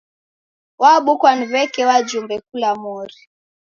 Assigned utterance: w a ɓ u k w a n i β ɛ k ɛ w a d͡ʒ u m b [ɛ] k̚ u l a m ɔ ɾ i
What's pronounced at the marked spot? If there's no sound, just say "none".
ɛ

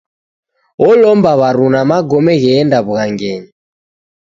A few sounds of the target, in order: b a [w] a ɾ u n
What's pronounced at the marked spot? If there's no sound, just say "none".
β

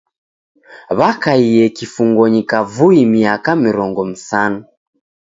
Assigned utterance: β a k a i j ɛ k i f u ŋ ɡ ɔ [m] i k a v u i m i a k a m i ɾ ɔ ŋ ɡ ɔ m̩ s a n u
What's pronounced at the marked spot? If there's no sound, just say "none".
ɲ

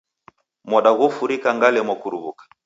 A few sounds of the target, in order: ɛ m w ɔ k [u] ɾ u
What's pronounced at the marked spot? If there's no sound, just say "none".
u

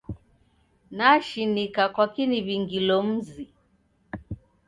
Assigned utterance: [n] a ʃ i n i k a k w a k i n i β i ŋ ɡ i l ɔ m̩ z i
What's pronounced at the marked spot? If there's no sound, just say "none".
n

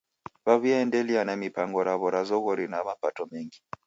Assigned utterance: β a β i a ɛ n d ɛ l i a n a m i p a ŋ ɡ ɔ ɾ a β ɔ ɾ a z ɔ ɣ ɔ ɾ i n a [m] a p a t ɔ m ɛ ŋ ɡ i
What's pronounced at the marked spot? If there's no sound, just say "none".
m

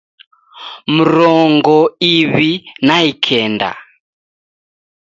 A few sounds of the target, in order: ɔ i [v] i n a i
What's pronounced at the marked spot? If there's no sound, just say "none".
β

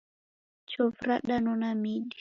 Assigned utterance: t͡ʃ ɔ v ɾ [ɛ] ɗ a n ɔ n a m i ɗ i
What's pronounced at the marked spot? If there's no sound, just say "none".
a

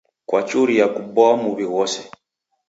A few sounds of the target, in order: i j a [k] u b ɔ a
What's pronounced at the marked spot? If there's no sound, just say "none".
k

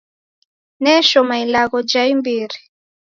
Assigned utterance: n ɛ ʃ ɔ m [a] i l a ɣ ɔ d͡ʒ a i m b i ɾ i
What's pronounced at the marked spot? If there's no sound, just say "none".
a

